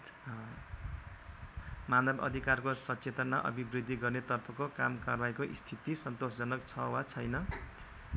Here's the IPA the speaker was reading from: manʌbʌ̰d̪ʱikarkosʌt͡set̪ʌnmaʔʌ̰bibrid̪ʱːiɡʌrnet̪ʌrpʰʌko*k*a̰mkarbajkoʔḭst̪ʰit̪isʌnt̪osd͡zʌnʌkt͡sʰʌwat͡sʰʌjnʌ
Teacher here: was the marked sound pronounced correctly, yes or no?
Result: yes